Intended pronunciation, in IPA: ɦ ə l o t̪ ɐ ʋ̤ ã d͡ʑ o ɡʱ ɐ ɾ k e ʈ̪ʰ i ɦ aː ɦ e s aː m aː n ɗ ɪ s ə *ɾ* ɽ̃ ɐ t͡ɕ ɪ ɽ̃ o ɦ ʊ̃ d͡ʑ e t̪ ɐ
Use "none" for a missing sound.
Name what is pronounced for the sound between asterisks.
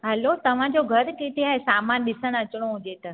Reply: none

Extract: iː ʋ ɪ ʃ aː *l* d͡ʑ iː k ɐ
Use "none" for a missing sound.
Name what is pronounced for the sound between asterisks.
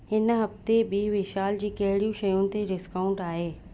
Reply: l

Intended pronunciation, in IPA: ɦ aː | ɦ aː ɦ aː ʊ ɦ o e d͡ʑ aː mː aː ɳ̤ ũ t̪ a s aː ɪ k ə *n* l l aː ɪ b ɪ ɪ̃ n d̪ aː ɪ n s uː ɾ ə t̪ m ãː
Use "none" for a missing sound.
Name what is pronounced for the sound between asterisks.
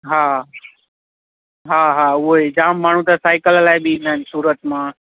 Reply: none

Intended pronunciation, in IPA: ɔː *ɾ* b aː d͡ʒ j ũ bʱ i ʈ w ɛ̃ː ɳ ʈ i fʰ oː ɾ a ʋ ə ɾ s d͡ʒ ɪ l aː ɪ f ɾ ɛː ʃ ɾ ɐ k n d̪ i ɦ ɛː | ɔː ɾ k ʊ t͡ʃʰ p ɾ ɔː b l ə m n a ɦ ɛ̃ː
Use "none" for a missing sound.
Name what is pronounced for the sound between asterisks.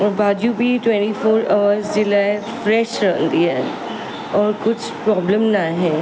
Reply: ɾ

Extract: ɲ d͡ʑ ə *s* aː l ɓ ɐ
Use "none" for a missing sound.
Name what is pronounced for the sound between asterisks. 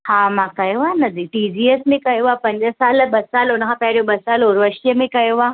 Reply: s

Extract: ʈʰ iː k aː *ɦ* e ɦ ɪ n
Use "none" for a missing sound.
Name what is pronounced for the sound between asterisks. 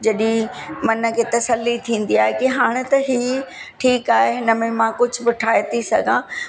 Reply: ɦ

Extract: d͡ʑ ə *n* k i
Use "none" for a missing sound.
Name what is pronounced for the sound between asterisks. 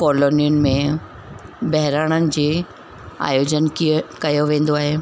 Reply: n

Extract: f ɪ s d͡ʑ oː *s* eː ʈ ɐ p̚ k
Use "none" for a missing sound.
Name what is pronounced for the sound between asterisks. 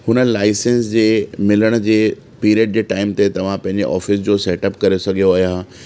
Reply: s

